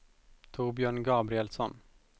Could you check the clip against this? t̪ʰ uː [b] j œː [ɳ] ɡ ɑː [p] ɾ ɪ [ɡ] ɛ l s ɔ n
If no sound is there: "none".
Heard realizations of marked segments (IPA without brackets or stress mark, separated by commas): b, ɳ, b, none